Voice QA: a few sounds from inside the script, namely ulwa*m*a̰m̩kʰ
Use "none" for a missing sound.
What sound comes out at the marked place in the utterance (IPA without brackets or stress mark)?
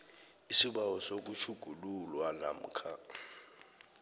n